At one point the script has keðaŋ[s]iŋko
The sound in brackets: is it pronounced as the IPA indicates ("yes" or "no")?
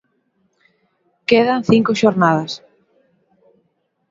no